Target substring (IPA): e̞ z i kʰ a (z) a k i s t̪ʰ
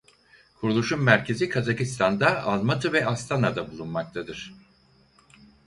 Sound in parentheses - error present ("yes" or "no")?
no